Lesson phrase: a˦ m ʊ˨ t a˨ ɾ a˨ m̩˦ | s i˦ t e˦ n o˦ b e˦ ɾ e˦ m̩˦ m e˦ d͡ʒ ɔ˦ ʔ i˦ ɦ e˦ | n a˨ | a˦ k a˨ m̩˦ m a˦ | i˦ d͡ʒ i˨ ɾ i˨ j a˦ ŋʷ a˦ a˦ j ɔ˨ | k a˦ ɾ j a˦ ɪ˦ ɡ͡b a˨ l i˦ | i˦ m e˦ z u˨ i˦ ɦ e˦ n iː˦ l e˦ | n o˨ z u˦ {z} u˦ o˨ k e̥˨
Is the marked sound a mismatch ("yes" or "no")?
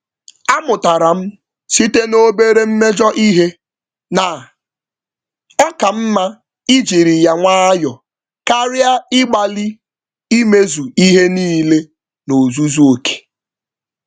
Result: no